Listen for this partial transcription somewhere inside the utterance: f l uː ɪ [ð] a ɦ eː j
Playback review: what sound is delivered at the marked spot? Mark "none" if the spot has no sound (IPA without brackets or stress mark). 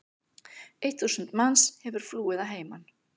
ð